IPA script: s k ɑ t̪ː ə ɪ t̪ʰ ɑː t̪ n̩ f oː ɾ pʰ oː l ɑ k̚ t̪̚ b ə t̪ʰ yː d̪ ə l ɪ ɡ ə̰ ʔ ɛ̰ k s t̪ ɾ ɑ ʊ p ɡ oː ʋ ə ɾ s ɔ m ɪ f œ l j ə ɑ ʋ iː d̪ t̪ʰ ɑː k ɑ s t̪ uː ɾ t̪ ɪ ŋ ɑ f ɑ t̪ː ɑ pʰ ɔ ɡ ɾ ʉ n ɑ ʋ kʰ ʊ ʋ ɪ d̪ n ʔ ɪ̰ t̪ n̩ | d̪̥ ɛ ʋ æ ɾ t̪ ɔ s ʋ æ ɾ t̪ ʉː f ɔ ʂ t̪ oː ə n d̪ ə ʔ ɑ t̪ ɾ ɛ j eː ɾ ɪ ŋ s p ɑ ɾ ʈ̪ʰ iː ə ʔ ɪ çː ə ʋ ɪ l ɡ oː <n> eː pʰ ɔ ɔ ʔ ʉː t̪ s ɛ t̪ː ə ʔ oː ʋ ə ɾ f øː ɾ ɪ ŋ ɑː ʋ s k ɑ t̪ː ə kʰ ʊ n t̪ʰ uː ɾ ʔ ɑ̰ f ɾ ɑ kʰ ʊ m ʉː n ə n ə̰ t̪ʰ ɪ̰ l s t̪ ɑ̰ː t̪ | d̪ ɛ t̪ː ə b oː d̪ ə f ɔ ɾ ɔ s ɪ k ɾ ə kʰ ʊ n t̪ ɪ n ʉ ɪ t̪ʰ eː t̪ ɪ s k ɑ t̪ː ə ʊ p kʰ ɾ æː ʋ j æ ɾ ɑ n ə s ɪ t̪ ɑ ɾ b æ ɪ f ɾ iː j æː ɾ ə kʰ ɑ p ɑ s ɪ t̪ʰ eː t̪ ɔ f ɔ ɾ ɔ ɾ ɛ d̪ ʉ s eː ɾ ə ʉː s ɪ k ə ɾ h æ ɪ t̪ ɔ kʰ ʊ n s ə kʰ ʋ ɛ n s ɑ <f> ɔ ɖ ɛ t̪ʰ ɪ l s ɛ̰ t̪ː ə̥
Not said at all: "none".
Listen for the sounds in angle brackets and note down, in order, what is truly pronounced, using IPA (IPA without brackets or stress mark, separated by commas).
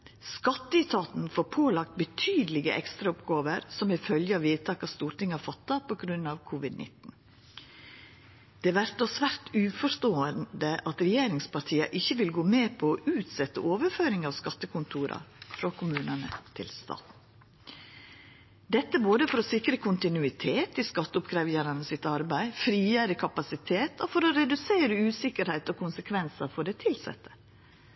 m, f